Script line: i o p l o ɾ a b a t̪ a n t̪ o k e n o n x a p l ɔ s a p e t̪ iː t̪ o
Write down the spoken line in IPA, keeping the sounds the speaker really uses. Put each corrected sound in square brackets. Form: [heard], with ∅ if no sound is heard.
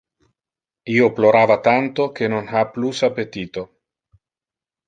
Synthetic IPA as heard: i o p l o ɾ a [v] a t̪ a n t̪ o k e n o n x a p l [u] s a p e t̪ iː t̪ o